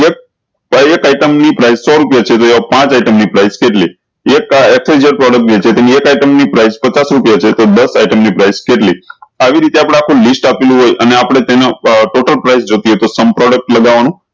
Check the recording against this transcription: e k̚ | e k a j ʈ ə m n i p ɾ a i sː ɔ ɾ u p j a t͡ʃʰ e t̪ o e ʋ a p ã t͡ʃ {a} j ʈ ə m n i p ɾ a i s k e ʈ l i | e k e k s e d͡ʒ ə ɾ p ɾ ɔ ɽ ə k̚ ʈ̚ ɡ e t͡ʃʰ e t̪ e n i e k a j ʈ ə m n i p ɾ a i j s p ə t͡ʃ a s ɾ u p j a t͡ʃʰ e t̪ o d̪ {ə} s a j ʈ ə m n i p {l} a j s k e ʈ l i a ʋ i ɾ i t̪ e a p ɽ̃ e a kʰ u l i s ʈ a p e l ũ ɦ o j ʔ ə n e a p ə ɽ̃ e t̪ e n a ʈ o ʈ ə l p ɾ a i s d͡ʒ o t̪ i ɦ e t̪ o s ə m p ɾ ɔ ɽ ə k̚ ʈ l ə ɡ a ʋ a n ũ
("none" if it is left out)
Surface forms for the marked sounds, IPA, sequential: a, ə, ɾ

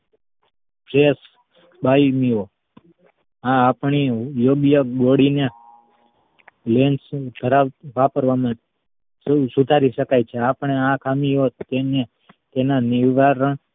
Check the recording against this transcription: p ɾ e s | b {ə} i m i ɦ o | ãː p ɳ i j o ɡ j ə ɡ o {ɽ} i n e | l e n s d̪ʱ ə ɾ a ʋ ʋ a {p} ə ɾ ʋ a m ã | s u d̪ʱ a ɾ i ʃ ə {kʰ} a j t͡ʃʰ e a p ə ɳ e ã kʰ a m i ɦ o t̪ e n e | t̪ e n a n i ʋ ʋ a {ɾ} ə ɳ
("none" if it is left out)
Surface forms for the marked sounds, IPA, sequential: a, ɽ, p, k, ɾ

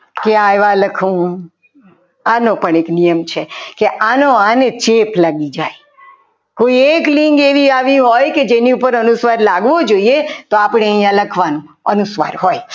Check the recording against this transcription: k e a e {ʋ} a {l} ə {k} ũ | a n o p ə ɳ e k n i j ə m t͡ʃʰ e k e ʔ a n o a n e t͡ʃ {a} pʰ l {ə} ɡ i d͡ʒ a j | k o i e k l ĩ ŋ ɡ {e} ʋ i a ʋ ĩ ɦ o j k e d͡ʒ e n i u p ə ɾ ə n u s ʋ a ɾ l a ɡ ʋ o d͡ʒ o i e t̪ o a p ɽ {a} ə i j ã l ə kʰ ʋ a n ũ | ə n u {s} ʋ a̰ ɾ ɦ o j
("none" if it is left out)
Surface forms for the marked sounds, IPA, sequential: ʋ, l, kʰ, e, a, e, e, s

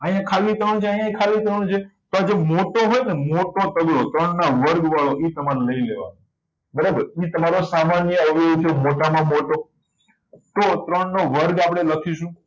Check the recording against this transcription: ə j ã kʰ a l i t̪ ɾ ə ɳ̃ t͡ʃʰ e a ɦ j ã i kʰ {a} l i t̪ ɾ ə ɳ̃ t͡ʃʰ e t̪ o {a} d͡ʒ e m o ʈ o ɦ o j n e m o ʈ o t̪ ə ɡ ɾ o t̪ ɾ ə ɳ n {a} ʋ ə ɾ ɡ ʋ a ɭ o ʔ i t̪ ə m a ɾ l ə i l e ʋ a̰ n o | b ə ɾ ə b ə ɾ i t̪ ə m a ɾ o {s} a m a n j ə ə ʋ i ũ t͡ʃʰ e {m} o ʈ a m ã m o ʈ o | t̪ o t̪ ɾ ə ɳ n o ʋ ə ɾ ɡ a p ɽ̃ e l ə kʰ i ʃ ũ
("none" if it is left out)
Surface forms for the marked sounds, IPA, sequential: a, a, a, s, m

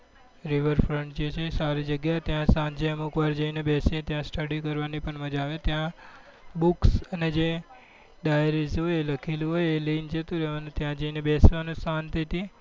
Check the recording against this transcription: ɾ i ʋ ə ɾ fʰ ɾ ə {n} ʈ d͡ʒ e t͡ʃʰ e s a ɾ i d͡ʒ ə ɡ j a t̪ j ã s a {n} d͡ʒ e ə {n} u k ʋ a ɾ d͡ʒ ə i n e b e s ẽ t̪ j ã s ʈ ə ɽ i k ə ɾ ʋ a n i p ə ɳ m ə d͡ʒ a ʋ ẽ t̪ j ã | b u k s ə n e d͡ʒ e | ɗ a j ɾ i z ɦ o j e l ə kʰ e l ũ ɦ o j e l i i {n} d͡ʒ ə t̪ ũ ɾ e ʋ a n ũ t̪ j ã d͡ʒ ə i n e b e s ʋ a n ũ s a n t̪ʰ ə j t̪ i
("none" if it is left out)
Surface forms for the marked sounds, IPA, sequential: ɳ, n, m, n

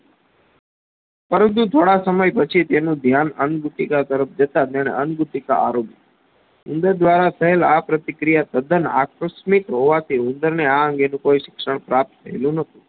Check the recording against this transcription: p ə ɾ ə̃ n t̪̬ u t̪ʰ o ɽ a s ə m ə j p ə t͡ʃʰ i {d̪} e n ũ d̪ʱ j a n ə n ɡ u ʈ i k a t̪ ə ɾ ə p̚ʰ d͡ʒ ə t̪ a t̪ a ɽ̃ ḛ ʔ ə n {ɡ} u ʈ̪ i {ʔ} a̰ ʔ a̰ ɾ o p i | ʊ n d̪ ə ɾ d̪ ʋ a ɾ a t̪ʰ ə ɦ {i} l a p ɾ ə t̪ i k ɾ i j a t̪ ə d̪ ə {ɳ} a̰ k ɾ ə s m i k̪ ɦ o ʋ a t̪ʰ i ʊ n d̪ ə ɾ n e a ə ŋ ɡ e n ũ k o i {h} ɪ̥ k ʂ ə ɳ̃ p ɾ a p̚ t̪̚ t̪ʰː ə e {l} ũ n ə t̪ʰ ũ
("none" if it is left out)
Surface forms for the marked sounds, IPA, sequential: t̪, ɡ, k, e, n, ʃ, l

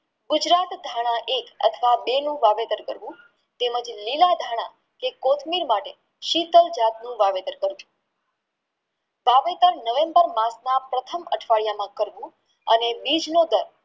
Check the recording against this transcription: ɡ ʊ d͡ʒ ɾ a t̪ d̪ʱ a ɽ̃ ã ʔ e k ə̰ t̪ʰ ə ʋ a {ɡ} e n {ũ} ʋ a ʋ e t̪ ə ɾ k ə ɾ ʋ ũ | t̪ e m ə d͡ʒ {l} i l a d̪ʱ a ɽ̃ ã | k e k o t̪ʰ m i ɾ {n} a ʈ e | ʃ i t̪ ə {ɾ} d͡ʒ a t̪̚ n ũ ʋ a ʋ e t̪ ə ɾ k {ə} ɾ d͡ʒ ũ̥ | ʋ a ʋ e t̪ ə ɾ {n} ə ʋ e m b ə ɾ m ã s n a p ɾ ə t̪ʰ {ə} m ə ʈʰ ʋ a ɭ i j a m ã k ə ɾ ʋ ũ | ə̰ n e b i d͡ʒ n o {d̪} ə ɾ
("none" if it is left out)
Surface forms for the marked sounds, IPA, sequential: b, ũ, l, m, l, ə, n, ə, d̪

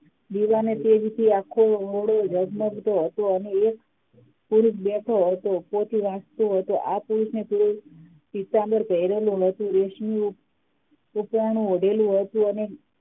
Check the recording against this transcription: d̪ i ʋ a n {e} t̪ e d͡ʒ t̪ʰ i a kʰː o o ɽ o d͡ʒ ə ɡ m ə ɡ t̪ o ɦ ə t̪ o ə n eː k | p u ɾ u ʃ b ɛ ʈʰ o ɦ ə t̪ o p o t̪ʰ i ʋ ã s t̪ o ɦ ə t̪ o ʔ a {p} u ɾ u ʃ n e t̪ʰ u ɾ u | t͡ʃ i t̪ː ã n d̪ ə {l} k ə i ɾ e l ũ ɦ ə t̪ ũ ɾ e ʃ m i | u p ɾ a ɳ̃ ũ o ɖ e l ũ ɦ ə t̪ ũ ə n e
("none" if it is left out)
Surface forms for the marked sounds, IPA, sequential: e, p, ɾ

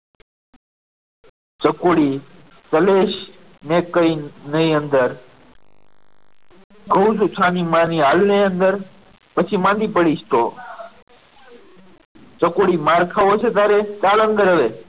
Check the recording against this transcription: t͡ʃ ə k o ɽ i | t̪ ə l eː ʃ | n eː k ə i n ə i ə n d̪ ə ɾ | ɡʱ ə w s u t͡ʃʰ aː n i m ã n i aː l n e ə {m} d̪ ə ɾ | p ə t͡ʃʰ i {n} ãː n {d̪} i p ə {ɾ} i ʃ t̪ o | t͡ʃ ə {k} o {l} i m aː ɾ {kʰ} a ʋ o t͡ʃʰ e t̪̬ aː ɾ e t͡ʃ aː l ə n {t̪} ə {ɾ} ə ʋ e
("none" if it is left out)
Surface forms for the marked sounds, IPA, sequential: n, m, d̪, ɽ, k, ɽ, kʰ, d̪, ɾ

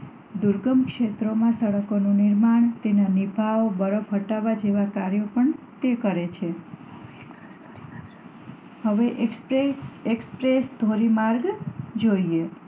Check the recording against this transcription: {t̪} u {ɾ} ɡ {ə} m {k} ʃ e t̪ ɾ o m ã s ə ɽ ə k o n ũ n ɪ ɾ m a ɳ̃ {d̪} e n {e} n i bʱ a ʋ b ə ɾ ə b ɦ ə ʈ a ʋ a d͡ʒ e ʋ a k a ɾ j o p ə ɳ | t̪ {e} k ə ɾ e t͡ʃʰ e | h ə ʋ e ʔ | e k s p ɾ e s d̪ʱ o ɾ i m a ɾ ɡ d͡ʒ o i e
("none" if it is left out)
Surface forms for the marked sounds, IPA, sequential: d̪, ɾ, ə, k, t̪, a, e

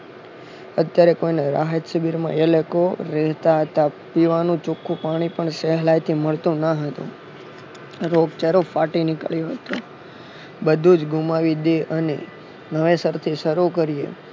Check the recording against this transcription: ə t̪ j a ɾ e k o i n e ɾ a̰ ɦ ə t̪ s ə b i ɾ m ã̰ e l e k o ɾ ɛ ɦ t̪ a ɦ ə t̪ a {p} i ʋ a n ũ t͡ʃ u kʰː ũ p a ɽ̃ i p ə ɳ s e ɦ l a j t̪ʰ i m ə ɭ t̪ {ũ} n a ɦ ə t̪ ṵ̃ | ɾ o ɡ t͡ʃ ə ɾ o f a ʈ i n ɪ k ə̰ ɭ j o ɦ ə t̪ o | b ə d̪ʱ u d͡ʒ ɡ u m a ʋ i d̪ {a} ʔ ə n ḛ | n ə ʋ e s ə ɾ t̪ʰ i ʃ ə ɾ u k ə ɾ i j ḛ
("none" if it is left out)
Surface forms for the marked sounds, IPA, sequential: p, ũ, e

